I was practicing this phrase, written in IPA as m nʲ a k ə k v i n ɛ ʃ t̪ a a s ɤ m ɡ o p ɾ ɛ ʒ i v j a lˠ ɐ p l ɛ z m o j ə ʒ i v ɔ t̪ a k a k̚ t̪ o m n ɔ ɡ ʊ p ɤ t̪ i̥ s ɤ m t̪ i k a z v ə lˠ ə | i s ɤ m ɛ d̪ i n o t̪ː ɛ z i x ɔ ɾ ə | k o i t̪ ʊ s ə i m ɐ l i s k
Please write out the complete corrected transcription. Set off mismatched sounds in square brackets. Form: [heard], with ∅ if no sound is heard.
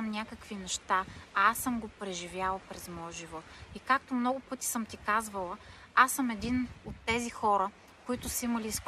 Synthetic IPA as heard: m nʲ a k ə k v i n ɛ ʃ t̪ a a s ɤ m ɡ o p ɾ ɛ ʒ i v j a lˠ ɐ p [ɾ] ɛ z m [ɔ] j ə ʒ i v ɔ t̪ [i] k a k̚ t̪ o m n ɔ ɡ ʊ p ɤ t̪ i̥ s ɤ m t̪ i k a z v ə lˠ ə | [a] s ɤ m ɛ d̪ i n o t̪ː ɛ z i x ɔ ɾ ə | k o i t̪ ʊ s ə i m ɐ l i s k